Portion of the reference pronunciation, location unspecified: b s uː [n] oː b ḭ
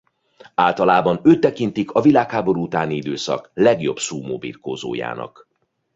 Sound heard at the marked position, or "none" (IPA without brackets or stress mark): m